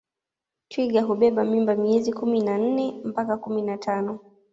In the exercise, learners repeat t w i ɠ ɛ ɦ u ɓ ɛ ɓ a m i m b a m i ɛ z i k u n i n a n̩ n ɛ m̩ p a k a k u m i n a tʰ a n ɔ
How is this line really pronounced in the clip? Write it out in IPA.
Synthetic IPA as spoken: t w i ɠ a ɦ u ɓ ɛ ɓ a m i m b a m i ɛ z i k u m i n a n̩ n ɛ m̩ p a k a k u m i n a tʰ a n ɔ